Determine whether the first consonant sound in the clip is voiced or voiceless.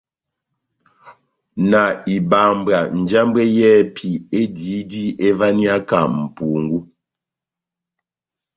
voiced